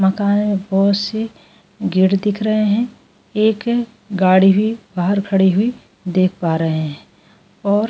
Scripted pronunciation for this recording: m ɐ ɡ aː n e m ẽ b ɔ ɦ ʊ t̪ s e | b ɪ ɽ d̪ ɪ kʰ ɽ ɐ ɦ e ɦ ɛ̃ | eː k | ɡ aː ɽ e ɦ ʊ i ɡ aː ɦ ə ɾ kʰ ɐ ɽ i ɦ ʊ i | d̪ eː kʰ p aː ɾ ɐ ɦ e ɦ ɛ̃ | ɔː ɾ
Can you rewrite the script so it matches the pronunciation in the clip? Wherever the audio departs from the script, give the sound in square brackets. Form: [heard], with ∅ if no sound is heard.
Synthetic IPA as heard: m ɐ [k] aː n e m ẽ b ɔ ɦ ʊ t̪ s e | [ɡ] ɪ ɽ d̪ ɪ kʰ [ɾ] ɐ ɦ e ɦ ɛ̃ | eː k | ɡ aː ɽ [i] ɦ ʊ i [b] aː ɦ ə ɾ kʰ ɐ ɽ i ɦ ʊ i | d̪ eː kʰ p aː ɾ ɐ ɦ e ɦ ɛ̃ | ɔː ɾ

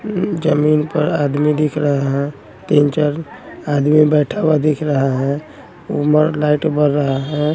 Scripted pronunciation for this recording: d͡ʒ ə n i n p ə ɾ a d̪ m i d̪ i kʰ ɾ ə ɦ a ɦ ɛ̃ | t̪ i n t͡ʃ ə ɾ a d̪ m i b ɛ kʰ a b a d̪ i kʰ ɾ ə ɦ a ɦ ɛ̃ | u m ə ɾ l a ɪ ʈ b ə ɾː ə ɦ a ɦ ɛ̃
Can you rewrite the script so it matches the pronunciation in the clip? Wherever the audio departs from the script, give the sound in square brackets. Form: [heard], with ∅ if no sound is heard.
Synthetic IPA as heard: d͡ʒ ə [m] i n p ə ɾ a d̪ m i d̪ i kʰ ɾ ə ɦ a ɦ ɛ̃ | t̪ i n t͡ʃ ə ɾ a d̪ m i b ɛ [ʈʰ] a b a d̪ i kʰ ɾ ə ɦ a ɦ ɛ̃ | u m ə ɾ l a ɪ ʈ b ə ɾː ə ɦ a ɦ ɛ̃

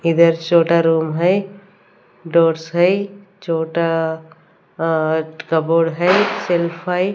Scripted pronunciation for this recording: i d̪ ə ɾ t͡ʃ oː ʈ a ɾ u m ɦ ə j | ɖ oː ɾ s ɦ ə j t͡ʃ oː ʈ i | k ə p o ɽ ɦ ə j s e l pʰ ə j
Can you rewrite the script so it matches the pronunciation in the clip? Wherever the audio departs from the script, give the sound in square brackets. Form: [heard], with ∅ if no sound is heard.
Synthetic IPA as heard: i d̪ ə ɾ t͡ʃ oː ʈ a ɾ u m ɦ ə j | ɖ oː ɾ s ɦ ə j t͡ʃ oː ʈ [a] | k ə [b] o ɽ ɦ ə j s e l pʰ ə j

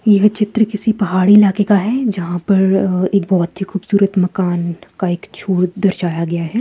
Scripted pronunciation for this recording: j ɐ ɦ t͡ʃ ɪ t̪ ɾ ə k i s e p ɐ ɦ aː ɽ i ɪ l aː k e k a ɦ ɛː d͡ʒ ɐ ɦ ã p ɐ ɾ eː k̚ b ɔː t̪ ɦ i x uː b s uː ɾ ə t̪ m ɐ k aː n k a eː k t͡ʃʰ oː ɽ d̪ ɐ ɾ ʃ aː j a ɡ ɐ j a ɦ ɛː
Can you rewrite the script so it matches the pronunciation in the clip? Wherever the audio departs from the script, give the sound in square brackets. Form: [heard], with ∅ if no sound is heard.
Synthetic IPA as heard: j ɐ ɦ t͡ʃ ɪ t̪ ɾ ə k [ɪ] s [i] p ɐ ɦ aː ɽ i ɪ l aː k e k a ɦ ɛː d͡ʒ ɐ ɦ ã p ɐ ɾ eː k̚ b ɔː t̪ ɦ i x uː b s uː ɾ ə t̪ m ɐ k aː n k a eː k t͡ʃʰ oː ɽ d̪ ɐ ɾ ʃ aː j a ɡ ɐ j a ɦ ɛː

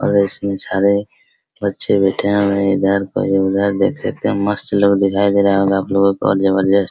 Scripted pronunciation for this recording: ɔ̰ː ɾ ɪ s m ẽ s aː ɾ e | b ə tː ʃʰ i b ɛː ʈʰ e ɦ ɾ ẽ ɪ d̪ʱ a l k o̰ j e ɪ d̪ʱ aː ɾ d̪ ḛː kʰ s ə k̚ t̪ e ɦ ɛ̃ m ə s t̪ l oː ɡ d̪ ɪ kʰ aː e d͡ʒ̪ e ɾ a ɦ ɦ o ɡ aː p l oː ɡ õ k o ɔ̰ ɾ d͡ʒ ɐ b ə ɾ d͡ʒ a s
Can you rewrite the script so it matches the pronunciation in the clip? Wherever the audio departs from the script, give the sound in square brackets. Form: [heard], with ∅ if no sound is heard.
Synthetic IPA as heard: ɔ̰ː ɾ ɪ s m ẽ s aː ɾ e | b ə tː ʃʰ [e] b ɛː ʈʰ e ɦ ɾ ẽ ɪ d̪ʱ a [ɾ] k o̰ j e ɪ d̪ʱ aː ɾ d̪ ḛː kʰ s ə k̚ t̪ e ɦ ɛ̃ m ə s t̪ l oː ɡ d̪ ɪ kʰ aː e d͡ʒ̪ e ɾ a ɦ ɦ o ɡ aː p l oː ɡ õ k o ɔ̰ ɾ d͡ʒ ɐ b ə ɾ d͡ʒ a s

